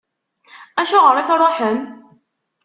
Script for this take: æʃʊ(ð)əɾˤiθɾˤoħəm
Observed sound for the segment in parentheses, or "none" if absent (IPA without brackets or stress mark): ʁ